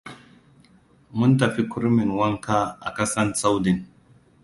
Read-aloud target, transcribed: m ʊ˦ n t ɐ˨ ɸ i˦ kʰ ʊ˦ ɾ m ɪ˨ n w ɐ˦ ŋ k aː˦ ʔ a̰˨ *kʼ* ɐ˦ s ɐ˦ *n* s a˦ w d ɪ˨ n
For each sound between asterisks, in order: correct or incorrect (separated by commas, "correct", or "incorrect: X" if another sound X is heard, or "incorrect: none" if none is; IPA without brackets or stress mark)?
incorrect: k, correct